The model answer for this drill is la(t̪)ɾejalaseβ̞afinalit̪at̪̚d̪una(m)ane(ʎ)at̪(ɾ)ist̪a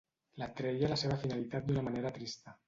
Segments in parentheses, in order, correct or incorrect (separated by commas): correct, correct, incorrect, correct